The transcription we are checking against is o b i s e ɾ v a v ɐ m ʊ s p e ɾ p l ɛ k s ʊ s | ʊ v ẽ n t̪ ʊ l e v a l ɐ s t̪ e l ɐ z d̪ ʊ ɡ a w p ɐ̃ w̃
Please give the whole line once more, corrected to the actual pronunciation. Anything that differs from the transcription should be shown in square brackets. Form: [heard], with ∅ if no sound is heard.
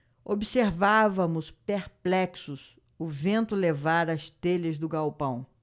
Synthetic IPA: o b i s e ɾ v a v ɐ m ʊ s p e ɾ p l ɛ k s ʊ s | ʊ v ẽ n t̪ ʊ l e v a [ɾ] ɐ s t̪ e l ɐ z d̪ ʊ ɡ a w p ɐ̃ w̃